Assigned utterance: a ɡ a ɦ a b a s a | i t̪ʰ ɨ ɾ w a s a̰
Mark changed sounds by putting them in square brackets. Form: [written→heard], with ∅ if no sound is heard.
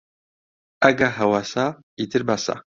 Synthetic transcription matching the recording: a ɡ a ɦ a [b→w] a s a | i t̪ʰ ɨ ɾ [w→b] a s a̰

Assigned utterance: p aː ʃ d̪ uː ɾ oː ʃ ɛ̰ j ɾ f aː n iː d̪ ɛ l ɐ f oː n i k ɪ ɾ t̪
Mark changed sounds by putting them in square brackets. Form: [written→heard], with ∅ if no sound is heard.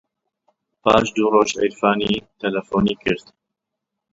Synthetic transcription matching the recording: p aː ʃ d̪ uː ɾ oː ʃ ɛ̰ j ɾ f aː n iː [d̪→t̪] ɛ l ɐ f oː n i k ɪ ɾ t̪

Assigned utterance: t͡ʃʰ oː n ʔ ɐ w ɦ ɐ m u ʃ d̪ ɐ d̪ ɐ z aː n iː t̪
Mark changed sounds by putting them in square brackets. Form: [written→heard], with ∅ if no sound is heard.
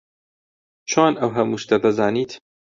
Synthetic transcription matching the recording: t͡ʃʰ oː n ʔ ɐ w ɦ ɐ m u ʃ [d̪→t̪] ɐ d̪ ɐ z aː n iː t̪

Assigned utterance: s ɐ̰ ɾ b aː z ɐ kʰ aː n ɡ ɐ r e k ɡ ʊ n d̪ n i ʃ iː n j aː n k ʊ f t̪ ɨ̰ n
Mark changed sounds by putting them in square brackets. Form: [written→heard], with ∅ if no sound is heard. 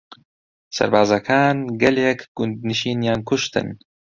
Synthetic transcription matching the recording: s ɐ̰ ɾ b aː z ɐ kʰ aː n ɡ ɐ [r→l] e k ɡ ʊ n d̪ n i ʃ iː n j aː n k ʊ [f→ʃ] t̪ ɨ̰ n

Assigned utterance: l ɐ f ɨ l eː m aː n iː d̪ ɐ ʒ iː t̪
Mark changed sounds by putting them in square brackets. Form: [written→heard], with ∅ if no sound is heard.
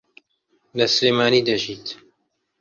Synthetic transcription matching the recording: l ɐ [f→s] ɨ l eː m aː n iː d̪ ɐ ʒ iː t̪

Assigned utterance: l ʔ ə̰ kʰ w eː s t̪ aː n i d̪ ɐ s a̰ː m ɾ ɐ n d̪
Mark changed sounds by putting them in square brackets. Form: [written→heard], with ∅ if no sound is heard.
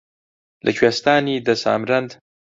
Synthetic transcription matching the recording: l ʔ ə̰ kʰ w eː s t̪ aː n i d̪ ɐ s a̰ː m ɾ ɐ n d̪

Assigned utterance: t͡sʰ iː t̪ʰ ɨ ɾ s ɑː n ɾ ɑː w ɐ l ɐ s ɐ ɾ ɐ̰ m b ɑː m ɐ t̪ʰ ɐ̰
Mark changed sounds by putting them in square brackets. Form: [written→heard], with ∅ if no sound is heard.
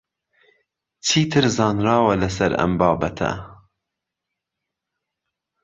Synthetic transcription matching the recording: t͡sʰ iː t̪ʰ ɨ ɾ [s→z] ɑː n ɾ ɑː w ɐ l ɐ s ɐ ɾ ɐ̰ m b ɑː [m→b] ɐ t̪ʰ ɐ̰

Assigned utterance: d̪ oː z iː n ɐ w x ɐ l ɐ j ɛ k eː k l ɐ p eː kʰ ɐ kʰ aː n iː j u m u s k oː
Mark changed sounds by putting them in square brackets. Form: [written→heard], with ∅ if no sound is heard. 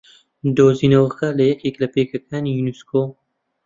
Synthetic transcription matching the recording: d̪ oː z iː n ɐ w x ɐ l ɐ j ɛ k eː k l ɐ p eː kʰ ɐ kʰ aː n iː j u [m→n] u s k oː

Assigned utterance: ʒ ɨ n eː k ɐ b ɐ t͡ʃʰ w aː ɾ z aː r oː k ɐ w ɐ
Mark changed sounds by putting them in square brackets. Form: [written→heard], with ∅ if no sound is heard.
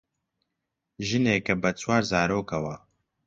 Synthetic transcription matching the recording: ʒ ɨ n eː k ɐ b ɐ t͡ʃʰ w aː ɾ z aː [r→ɾ] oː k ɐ w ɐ

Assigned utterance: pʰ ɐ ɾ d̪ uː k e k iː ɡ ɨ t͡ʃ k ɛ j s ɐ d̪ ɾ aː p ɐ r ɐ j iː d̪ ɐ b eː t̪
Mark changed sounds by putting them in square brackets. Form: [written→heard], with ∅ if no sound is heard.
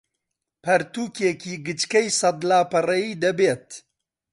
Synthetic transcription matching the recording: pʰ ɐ ɾ [d̪→t̪] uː k e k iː ɡ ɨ t͡ʃ k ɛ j s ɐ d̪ [ɾ→l] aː p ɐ r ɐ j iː d̪ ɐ b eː t̪

